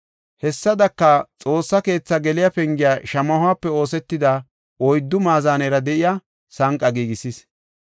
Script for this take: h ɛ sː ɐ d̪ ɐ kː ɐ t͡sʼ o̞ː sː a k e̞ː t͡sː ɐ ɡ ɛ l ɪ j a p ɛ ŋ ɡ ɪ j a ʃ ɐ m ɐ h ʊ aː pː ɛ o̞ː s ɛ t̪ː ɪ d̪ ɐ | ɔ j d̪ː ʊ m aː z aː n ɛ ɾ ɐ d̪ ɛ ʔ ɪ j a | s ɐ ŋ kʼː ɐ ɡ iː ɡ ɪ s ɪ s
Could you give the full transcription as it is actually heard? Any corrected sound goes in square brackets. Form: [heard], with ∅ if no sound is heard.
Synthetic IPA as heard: h ɛ sː ɐ d̪ ɐ kː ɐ t͡sʼ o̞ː sː [ɐ] k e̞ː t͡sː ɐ ɡ ɛ l ɪ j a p ɛ ŋ ɡ ɪ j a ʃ ɐ m ɐ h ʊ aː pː ɛ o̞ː s ɛ t̪ː ɪ d̪ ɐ | ɔ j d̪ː ʊ m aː z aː n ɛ ɾ ɐ d̪ ɛ ʔ ɪ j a | s ɐ ŋ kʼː ɐ ɡ iː ɡ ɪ s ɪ s